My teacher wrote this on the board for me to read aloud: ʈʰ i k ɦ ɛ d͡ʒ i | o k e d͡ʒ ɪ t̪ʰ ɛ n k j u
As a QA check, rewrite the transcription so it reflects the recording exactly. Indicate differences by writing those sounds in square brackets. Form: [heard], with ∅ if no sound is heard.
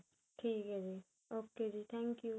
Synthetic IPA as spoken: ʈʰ i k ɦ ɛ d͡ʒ i | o k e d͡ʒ [i] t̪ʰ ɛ [ŋ] k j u

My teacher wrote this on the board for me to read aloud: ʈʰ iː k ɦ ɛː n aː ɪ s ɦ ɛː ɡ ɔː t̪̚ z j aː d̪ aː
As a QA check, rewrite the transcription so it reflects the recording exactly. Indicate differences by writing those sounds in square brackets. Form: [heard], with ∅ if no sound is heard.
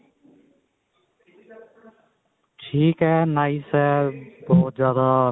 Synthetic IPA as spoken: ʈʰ iː k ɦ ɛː n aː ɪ s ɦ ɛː [b] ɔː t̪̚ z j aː d̪ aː

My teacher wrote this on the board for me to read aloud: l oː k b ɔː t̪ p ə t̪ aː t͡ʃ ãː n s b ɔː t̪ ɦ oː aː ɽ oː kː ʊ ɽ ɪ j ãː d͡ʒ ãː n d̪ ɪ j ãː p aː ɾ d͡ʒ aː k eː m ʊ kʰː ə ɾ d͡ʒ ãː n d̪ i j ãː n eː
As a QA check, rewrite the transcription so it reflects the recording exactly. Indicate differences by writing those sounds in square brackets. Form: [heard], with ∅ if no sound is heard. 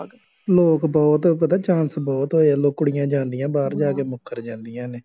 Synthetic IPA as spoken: l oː k b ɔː t̪ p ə t̪ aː t͡ʃ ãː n s b ɔː t̪ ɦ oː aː [l] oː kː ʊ ɽ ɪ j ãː d͡ʒ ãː n d̪ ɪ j ãː [b] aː ɾ d͡ʒ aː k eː m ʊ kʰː ə ɾ d͡ʒ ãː n d̪ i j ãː n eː

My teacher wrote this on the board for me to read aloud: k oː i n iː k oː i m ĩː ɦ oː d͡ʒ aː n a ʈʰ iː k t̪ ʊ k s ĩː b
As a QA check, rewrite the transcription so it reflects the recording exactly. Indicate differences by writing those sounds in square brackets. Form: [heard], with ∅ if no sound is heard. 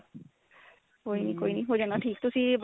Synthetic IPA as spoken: k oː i n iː k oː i [n] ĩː ɦ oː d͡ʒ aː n a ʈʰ iː k t̪ ʊ [∅] s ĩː b

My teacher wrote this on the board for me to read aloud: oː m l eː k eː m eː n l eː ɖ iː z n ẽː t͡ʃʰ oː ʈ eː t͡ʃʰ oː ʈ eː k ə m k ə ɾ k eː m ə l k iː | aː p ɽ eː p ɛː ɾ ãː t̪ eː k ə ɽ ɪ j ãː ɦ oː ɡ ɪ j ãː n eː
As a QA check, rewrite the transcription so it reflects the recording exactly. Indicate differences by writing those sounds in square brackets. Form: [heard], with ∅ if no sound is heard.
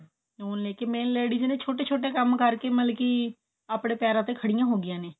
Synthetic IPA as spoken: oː [n] l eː k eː m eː n l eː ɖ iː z n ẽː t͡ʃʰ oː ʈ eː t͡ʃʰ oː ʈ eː k ə m k ə ɾ k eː m ə l k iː | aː p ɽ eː p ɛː ɾ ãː t̪ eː [kʰ] ə ɽ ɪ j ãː ɦ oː ɡ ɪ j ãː n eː

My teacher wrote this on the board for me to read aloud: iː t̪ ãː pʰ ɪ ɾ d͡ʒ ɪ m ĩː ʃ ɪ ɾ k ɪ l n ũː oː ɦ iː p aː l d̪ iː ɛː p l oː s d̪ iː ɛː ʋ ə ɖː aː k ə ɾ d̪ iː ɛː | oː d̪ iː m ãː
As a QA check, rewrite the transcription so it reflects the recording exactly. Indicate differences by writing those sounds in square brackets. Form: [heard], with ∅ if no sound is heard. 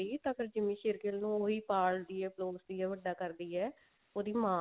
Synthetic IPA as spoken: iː t̪ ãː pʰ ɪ ɾ d͡ʒ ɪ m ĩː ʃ ɪ ɾ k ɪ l n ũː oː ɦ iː p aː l d̪ iː ɛː p l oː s d̪ iː ɛː ʋ ə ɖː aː k ə ɾ d̪ iː ɛː | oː d̪ iː m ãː

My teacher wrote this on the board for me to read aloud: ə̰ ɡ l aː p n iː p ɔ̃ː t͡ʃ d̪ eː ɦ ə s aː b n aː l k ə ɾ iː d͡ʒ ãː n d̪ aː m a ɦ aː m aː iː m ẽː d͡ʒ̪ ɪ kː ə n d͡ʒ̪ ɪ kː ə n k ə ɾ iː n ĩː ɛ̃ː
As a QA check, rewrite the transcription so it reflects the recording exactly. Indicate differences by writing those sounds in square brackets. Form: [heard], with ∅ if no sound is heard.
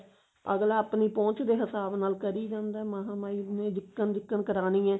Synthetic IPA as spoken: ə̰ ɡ l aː p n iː p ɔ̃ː t͡ʃ d̪ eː ɦ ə s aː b n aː l k ə ɾ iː d͡ʒ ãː n d̪ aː m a ɦ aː m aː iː [n] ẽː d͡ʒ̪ ɪ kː ə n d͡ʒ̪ ɪ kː ə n k ə ɾ [aː] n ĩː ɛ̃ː

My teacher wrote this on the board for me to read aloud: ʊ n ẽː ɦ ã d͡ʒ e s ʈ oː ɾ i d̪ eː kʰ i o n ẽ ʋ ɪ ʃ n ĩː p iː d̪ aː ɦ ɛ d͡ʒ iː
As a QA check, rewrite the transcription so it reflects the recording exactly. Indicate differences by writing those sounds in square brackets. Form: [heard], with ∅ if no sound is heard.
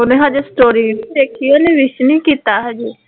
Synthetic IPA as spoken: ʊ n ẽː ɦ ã d͡ʒ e s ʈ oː ɾ i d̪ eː kʰ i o n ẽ ʋ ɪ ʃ n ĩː [k] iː [t̪] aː ɦ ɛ d͡ʒ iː

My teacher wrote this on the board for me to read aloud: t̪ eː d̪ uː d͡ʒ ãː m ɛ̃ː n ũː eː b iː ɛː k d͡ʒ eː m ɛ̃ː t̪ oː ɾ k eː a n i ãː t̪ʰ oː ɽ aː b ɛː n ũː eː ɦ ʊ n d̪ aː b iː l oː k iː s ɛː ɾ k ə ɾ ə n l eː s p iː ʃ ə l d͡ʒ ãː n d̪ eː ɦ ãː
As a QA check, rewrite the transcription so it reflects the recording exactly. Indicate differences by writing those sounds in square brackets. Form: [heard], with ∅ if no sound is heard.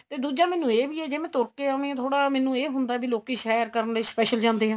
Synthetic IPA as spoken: t̪ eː d̪ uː d͡ʒ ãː m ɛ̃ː n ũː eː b iː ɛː [∅] d͡ʒ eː m ɛ̃ː t̪ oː ɾ k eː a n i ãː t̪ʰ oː ɽ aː [m] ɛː n ũː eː ɦ ʊ n d̪ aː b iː l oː k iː [ʃ] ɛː ɾ k ə ɾ ə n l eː s p [ɛː] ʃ ə l d͡ʒ ãː n d̪ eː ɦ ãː

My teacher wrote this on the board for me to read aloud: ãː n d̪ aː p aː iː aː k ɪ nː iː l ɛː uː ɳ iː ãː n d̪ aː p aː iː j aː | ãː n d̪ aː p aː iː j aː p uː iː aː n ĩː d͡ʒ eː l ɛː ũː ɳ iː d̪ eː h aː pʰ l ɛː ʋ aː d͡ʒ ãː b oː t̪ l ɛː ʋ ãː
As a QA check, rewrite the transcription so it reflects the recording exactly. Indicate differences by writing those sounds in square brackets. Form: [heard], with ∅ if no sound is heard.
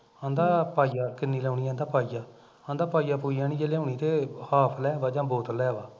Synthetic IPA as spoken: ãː n d̪ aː p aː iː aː k ɪ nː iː l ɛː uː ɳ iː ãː n d̪ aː p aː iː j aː | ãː n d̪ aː p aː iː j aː p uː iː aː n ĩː d͡ʒ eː l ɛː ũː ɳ iː [t̪] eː h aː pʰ l ɛː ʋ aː d͡ʒ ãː b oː t̪ l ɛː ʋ [aː]

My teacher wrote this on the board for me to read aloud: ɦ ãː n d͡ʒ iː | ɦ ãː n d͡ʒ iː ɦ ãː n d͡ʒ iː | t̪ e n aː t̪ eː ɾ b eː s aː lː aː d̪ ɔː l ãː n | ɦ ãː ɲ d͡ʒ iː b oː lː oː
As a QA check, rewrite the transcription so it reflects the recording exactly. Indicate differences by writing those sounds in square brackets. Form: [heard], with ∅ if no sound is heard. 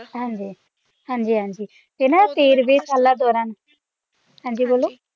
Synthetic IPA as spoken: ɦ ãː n d͡ʒ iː | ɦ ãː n d͡ʒ iː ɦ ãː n d͡ʒ iː | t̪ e n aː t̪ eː ɾ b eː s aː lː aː d̪ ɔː [ɾ] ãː n | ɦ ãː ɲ d͡ʒ iː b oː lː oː

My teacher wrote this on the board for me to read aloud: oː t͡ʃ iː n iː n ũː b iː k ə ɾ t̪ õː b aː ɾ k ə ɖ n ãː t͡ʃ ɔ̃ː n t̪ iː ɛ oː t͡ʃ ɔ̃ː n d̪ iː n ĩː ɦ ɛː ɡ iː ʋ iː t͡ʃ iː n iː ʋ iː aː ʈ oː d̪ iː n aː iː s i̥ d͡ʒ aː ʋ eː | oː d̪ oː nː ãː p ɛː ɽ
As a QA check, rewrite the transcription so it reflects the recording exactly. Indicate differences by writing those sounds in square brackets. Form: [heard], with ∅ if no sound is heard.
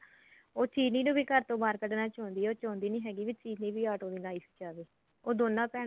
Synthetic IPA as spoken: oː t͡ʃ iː n iː n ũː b iː k ə ɾ t̪ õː b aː ɾ k ə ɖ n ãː t͡ʃ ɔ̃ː n [d̪] iː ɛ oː t͡ʃ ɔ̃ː n d̪ iː n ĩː ɦ ɛː ɡ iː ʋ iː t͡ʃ iː n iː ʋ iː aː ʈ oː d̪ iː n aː iː s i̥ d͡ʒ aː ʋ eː | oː d̪ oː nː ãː p ɛː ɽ

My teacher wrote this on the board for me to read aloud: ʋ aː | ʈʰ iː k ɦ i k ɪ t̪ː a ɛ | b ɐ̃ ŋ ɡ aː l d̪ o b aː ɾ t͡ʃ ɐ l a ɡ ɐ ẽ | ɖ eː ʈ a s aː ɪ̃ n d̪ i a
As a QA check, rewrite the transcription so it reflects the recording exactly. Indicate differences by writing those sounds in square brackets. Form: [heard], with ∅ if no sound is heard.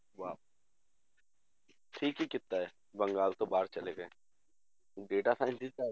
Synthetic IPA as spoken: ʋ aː | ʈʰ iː k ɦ i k ɪ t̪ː a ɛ | b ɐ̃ ŋ ɡ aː l [t̪] o b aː ɾ t͡ʃ ɐ l [e] ɡ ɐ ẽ | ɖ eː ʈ a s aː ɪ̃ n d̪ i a

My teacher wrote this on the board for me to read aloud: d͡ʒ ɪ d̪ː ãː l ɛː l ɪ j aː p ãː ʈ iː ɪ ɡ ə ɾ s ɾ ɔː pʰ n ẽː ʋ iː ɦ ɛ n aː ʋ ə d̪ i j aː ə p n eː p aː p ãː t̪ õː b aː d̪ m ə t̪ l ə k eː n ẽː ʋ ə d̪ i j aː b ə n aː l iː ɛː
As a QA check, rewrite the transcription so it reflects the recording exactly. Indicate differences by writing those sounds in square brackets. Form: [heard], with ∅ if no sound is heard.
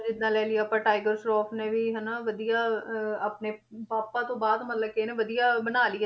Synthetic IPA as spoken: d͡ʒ ɪ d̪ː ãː l ɛː l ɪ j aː p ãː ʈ [aː] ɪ ɡ ə ɾ s ɾ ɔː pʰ n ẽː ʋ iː ɦ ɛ n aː ʋ ə d̪ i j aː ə p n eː p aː p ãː t̪ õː b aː d̪ m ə t̪ l ə k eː n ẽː ʋ ə d̪ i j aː b ə n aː l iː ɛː

